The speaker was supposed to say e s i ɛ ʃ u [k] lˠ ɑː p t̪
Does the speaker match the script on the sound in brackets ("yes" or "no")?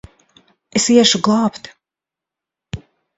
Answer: no